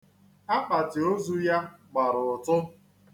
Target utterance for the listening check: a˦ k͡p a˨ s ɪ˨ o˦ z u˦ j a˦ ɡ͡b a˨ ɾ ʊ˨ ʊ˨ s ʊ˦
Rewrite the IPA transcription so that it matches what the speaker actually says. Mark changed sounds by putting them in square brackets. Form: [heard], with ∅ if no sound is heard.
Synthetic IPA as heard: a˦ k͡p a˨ [t] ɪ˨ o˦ z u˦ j a˦ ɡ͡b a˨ ɾ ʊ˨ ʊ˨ [t] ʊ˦

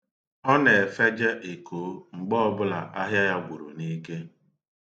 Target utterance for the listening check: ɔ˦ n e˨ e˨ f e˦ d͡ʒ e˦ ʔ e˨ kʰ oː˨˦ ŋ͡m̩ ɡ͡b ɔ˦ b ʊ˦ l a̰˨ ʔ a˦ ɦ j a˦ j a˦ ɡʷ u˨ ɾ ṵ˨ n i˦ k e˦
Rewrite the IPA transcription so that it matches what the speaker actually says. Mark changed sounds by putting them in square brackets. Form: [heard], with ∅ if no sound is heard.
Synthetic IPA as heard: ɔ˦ n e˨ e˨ f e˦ d͡ʒ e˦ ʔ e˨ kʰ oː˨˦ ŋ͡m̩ ɡ͡b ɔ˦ b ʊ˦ l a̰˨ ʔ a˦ ɦ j a˦ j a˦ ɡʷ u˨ ɾ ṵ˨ n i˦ k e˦

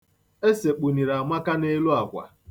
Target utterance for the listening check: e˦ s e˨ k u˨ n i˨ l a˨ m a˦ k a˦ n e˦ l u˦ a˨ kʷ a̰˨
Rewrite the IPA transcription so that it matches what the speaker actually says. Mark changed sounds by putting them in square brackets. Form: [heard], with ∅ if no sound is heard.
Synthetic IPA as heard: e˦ s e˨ [k͡p] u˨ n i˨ [ɾ] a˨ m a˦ k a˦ n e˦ l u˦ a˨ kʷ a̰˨

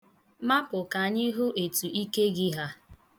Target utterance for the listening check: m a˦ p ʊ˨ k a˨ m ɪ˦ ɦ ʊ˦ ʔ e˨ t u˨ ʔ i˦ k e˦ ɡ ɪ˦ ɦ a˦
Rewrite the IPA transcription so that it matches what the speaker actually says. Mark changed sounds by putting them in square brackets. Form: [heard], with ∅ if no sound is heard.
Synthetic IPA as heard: m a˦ p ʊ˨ k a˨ [ɲ] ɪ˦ ɦ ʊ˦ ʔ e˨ t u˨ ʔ i˦ k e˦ ɡ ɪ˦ ɦ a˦

